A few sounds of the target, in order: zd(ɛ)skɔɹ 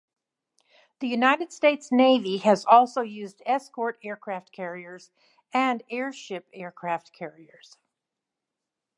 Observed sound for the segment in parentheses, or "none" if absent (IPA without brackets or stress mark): ɛ